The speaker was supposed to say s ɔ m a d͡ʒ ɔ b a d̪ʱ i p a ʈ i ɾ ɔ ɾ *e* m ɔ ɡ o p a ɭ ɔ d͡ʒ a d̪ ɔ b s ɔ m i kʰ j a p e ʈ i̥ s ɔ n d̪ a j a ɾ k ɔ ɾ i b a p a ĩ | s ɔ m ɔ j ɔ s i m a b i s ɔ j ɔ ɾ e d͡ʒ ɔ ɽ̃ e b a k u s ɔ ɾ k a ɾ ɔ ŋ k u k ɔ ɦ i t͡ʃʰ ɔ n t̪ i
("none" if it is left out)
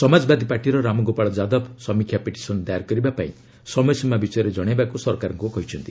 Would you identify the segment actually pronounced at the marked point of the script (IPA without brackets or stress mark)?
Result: a